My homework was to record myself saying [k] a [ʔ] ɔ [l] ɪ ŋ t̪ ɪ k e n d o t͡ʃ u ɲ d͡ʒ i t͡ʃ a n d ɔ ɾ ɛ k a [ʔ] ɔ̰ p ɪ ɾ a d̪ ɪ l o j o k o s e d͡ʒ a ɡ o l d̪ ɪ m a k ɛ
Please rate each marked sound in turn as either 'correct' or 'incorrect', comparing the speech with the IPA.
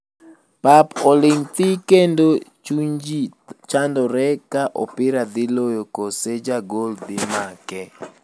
incorrect: p, incorrect: p, correct, correct

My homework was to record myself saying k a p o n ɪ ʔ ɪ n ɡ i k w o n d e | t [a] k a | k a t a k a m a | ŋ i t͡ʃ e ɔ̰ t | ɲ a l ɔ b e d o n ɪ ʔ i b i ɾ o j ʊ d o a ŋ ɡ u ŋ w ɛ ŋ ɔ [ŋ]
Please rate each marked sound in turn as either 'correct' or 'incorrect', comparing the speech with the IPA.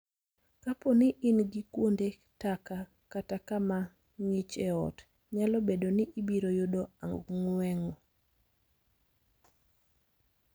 correct, incorrect: none

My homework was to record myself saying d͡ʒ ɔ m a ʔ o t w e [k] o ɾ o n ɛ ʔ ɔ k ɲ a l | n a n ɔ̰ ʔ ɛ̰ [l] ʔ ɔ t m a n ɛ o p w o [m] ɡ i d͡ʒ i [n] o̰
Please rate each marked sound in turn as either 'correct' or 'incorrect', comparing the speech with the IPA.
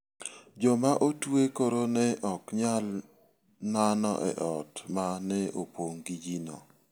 correct, incorrect: none, incorrect: ŋ, correct

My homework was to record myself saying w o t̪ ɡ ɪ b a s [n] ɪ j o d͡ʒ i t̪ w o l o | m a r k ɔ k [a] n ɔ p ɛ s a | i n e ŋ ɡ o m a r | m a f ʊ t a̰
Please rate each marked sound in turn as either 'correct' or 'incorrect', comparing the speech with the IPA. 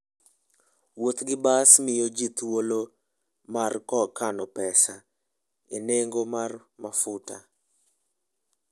incorrect: m, correct

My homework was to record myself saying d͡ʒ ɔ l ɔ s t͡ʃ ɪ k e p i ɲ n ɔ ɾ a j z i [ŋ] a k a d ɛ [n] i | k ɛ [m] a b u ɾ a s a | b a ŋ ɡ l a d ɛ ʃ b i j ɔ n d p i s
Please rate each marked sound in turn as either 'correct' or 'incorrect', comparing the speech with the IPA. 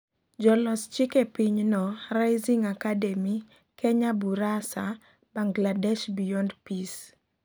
correct, incorrect: m, incorrect: ɲ

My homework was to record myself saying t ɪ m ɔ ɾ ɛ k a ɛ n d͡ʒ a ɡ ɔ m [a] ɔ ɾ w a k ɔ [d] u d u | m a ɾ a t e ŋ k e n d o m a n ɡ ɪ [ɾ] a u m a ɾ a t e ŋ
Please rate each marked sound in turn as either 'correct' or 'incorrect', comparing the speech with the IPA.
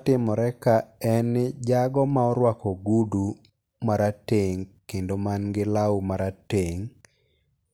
correct, incorrect: ɡ, incorrect: l

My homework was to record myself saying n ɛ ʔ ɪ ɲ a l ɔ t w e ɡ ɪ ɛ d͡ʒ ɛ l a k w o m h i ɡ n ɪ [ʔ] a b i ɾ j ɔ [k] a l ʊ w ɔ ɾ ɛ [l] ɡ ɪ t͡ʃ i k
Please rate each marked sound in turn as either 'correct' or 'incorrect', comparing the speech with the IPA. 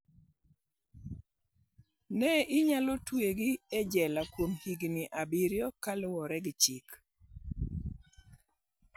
correct, correct, incorrect: none

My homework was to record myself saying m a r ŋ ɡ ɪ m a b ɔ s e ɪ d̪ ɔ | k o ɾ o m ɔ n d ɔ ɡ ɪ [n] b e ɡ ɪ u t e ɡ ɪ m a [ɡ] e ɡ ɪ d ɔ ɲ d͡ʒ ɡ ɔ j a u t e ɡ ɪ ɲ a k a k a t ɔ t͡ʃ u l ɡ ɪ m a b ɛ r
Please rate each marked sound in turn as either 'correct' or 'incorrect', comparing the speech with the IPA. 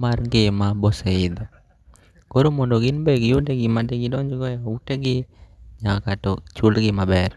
correct, incorrect: d

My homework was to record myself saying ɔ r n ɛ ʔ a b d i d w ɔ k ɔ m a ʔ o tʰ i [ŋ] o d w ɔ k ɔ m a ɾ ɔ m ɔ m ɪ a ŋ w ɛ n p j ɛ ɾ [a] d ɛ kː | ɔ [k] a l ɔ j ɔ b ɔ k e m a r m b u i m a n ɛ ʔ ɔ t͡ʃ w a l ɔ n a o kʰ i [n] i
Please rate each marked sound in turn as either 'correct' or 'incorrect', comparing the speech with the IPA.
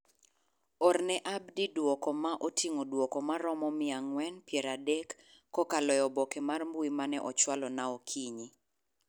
correct, correct, correct, incorrect: ɲ

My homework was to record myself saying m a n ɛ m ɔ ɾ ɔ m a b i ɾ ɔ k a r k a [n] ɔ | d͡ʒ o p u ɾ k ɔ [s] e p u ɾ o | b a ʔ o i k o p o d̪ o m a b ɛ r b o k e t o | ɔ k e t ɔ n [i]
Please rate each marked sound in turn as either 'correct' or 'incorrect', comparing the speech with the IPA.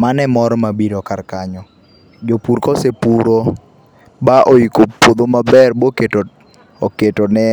incorrect: ɲ, correct, incorrect: ɛ

